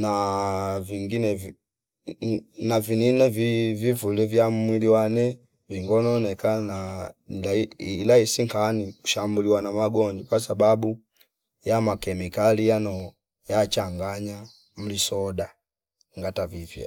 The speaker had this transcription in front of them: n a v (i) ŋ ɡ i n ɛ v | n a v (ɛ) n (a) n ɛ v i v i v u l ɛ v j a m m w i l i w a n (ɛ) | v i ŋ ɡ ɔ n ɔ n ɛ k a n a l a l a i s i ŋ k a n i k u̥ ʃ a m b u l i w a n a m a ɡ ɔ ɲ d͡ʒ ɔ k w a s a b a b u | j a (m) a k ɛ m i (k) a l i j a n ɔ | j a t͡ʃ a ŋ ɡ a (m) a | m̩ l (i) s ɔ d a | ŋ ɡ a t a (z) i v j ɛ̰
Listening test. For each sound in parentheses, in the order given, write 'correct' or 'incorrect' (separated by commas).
correct, incorrect, incorrect, correct, correct, correct, incorrect, correct, incorrect